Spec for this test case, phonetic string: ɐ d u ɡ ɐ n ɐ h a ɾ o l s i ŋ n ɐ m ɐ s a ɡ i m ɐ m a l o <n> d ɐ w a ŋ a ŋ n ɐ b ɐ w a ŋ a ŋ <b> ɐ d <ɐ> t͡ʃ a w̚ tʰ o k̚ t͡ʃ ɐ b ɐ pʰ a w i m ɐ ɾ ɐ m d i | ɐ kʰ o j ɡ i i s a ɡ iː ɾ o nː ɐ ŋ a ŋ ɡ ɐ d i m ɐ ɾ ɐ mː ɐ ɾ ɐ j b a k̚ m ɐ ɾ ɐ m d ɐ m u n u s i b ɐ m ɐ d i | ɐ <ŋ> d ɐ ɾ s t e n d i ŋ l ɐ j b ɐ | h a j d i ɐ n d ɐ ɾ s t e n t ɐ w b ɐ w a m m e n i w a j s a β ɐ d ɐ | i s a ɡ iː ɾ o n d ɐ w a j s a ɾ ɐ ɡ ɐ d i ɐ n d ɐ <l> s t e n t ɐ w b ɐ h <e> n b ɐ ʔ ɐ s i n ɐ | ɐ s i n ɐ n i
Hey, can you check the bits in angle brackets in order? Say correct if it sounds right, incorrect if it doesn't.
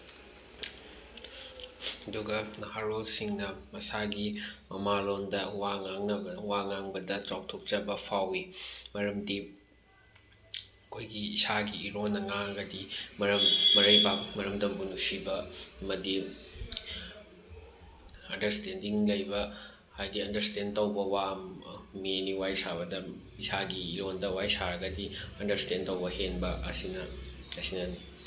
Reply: correct, correct, correct, incorrect: n, incorrect: ɾ, correct

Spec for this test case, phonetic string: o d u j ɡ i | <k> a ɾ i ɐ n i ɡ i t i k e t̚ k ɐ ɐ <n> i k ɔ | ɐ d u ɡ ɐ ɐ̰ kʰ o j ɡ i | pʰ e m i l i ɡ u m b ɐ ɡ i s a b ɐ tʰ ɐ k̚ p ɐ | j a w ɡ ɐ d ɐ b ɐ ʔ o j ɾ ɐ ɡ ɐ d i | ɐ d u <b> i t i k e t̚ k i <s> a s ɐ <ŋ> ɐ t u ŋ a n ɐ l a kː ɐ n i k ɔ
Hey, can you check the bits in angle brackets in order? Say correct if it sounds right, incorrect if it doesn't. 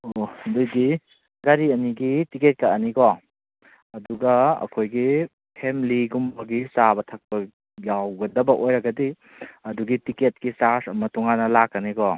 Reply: incorrect: ɡ, correct, incorrect: ɡ, correct, incorrect: m

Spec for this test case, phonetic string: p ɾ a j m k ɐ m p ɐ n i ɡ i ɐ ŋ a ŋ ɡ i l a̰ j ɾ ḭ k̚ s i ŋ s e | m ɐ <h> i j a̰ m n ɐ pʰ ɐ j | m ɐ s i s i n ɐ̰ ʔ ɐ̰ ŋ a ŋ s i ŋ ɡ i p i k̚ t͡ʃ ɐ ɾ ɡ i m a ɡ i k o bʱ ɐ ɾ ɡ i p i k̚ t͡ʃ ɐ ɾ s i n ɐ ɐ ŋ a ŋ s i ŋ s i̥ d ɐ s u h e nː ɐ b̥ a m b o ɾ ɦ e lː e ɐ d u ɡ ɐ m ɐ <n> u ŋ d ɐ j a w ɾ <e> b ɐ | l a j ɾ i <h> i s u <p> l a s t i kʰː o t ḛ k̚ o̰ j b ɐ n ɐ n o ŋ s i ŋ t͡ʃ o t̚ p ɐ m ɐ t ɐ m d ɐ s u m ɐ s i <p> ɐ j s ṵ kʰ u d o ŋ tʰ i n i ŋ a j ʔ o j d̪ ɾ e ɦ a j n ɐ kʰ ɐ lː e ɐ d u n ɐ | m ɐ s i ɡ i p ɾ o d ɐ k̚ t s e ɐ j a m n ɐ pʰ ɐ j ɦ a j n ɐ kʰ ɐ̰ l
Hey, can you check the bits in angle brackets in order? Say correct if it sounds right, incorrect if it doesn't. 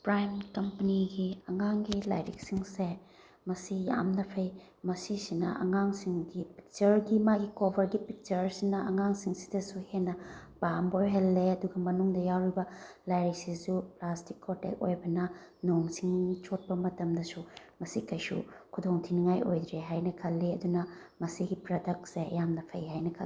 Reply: incorrect: s, correct, incorrect: i, incorrect: s, correct, incorrect: k

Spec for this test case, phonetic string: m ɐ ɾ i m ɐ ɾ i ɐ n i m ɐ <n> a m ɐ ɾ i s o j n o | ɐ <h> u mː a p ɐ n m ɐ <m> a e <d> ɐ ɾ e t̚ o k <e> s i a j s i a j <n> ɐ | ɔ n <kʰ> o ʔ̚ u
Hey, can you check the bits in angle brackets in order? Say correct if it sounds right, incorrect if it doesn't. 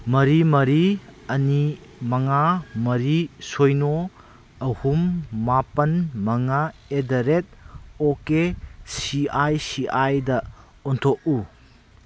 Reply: incorrect: ŋ, correct, incorrect: ŋ, correct, correct, incorrect: d, incorrect: tʰ

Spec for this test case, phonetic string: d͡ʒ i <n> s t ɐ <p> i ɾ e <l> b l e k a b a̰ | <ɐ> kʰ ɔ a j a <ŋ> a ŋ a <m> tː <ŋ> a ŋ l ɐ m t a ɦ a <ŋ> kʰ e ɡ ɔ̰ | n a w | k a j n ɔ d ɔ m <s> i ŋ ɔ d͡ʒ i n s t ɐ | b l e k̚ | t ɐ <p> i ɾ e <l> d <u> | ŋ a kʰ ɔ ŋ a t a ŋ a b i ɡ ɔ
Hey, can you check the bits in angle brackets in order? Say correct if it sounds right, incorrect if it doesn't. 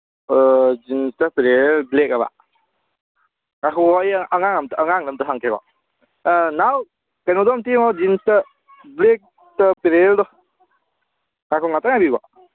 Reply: correct, correct, correct, incorrect: a, correct, correct, correct, correct, incorrect: t, correct, correct, incorrect: ɔ

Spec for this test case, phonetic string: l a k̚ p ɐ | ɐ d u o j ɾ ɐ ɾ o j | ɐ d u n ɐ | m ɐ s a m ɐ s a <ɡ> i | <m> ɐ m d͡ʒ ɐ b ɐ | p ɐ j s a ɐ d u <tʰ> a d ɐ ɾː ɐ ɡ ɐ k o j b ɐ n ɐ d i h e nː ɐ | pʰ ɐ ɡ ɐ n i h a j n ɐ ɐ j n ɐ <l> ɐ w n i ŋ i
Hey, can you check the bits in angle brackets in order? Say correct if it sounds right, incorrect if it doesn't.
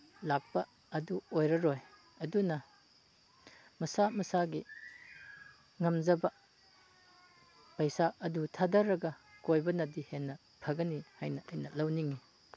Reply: correct, incorrect: ŋ, correct, correct

